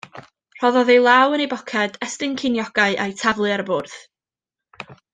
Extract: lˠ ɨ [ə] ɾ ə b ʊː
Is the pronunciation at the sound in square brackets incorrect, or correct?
incorrect: a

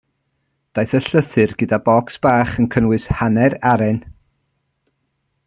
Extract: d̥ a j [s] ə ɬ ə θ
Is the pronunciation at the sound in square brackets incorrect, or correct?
incorrect: θ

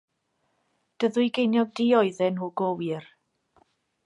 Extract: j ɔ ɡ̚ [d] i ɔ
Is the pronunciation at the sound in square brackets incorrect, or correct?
correct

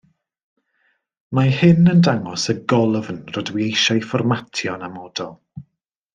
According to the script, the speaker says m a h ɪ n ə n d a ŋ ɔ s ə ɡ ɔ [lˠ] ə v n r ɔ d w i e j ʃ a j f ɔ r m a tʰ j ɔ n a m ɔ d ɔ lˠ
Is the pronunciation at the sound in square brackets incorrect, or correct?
correct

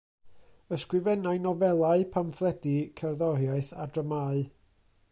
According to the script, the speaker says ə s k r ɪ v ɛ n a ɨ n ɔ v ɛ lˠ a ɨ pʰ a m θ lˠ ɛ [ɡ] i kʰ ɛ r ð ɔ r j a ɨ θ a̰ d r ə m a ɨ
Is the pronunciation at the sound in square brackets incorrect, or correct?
incorrect: d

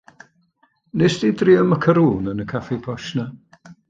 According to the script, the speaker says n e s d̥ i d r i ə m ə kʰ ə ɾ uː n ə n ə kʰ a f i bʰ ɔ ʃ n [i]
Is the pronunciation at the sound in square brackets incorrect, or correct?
incorrect: a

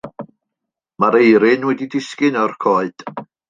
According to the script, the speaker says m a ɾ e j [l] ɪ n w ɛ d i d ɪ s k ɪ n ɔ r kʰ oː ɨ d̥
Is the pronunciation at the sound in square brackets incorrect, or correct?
incorrect: ɾ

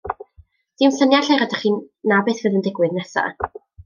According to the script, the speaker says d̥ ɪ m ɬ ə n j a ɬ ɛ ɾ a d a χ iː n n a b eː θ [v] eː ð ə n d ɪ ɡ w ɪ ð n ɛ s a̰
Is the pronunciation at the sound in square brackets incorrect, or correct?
correct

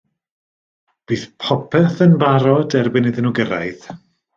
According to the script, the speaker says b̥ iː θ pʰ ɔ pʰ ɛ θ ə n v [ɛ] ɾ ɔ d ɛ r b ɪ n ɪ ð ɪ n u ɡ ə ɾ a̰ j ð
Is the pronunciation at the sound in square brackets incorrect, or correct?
incorrect: a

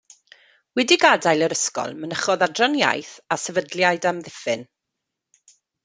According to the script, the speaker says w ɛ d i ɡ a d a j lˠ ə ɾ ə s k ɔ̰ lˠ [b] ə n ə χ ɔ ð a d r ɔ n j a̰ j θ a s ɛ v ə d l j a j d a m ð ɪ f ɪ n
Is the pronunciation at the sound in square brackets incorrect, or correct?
incorrect: m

